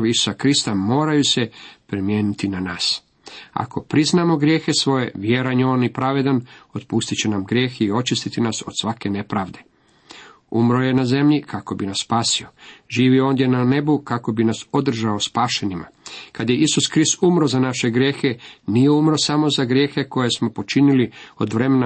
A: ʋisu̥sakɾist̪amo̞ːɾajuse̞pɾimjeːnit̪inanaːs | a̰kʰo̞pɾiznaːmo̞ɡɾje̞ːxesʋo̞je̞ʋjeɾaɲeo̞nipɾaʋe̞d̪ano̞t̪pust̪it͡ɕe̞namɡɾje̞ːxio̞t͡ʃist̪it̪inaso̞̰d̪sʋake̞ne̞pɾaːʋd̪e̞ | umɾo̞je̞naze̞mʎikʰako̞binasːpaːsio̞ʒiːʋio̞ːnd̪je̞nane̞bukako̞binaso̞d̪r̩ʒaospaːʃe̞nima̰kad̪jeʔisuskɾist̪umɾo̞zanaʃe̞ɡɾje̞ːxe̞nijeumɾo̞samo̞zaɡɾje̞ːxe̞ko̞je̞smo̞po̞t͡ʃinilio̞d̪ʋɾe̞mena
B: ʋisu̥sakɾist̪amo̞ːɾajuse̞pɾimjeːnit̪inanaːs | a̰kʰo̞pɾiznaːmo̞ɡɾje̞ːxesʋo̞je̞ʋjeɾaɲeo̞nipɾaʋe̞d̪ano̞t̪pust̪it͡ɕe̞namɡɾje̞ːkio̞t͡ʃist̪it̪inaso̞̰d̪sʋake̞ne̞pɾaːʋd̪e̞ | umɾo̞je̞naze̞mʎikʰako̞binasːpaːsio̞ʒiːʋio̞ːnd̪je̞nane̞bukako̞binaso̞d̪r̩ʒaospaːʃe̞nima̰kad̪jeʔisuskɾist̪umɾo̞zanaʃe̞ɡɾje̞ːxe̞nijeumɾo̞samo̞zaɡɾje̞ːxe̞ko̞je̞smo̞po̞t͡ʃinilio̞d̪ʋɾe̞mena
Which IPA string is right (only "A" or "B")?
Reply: A